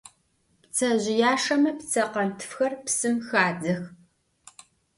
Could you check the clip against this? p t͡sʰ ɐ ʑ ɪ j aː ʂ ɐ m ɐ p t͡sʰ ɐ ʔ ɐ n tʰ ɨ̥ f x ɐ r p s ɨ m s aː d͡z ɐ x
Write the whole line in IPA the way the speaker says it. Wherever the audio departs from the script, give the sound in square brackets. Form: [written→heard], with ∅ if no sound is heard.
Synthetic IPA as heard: p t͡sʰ ɐ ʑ ɪ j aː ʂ ɐ m ɐ p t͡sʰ ɐ [ʔ→q] ɐ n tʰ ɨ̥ f x ɐ r p s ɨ m [s→x] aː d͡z ɐ x